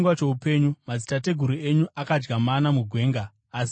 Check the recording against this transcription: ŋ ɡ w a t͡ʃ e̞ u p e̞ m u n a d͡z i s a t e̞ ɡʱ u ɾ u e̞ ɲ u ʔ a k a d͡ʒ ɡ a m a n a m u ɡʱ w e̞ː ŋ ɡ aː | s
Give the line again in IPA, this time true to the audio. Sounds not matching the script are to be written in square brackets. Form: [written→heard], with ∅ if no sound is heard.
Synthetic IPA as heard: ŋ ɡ w a t͡ʃ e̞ u p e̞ [m→ɲ] u [n→m] a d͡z i [s→t] a t e̞ ɡʱ u ɾ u e̞ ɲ u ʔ a k a d͡ʒ ɡ a m a n a m u ɡʱ w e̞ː ŋ ɡ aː | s